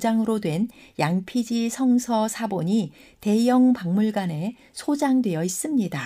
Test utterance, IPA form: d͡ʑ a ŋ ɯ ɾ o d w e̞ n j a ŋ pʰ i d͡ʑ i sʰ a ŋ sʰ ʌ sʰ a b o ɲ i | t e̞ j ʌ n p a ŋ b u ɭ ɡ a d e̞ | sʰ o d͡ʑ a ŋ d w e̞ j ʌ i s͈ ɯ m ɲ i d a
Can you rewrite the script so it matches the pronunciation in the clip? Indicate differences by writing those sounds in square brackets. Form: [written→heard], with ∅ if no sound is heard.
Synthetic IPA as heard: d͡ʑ a ŋ ɯ ɾ o d w e̞ n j a ŋ pʰ i d͡ʑ i sʰ [a→ʌ] ŋ sʰ ʌ sʰ a b o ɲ i | t e̞ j ʌ [n→ŋ] p a ŋ [b→m] u ɭ ɡ a [d→n] e̞ | sʰ o d͡ʑ a ŋ d w e̞ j ʌ i s͈ ɯ m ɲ i d a